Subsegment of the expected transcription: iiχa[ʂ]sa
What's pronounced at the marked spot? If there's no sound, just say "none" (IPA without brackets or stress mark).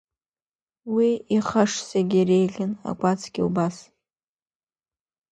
ʂ